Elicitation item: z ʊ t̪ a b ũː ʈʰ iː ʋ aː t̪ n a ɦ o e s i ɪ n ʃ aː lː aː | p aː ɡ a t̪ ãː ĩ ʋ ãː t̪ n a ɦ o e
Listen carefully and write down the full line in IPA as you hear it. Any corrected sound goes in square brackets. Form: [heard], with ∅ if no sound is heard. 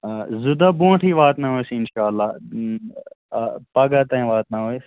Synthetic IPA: z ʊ [d̪] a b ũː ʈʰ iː ʋ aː t̪ n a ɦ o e s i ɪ n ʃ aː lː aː | p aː ɡ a t̪ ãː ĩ ʋ [aː] t̪ n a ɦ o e